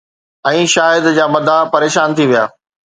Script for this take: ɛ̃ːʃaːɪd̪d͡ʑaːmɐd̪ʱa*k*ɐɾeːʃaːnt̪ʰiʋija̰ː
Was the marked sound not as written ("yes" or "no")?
yes